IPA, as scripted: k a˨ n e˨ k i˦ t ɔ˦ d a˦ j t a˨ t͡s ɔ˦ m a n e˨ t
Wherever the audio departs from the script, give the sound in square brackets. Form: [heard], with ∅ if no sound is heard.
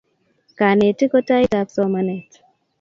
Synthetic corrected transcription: k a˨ n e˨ [t] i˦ [k] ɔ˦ [t] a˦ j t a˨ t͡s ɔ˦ m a n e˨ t